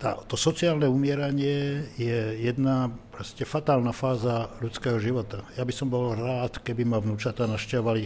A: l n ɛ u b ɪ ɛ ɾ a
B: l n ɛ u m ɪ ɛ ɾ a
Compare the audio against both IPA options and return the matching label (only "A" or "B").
B